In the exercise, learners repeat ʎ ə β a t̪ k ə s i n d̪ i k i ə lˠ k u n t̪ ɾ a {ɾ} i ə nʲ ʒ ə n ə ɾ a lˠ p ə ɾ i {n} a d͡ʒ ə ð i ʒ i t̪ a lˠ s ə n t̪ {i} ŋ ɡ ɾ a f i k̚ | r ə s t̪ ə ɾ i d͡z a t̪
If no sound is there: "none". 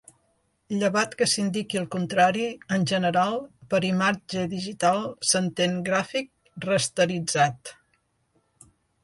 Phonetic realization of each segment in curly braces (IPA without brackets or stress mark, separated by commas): ɾ, m, e